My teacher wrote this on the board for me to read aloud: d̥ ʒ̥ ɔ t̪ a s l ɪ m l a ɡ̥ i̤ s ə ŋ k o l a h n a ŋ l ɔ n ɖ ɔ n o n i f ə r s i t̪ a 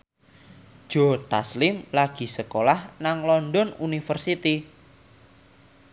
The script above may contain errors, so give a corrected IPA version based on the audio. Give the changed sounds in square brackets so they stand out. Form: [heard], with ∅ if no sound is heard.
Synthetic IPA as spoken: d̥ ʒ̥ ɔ t̪ a s l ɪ m l a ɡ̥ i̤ s ə [∅] k o l a h n a ŋ l ɔ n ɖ ɔ n [u] n i f ə r s i t̪ [i]